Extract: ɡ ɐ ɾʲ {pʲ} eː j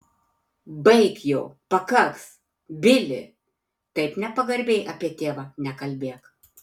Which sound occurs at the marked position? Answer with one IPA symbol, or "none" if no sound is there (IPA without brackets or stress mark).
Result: bʲ